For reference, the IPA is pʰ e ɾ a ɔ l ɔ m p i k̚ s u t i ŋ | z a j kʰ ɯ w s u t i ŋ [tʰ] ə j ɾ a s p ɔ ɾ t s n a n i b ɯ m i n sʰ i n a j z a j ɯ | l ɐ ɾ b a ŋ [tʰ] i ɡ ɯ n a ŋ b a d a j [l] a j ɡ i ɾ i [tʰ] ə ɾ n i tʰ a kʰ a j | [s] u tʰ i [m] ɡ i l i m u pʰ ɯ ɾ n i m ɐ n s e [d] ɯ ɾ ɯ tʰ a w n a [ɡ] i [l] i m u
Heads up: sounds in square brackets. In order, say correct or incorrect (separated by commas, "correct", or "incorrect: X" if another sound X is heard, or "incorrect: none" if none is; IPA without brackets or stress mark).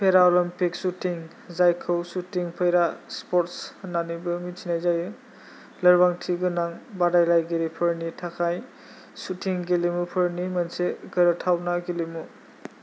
incorrect: pʰ, correct, correct, incorrect: pʰ, correct, incorrect: ŋ, incorrect: ɡ, correct, correct